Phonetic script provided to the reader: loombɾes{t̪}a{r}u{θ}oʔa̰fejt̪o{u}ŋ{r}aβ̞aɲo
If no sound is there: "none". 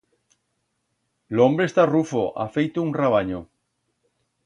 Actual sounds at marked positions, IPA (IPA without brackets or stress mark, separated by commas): t̪, r, f, u, r